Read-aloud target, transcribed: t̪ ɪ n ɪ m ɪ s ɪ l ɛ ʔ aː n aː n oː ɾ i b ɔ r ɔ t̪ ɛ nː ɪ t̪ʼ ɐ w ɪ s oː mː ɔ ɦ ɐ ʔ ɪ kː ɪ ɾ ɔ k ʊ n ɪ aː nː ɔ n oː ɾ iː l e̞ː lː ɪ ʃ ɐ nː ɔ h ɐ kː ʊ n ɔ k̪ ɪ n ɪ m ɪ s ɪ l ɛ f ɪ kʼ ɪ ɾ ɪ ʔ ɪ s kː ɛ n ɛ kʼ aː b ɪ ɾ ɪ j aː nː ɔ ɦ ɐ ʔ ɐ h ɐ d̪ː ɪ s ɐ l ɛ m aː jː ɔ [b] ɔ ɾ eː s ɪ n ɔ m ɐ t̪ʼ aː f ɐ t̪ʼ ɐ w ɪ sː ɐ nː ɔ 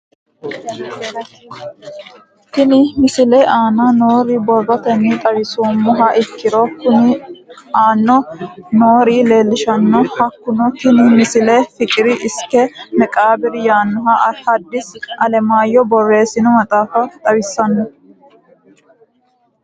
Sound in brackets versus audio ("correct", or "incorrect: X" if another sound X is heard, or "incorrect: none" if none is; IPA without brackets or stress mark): correct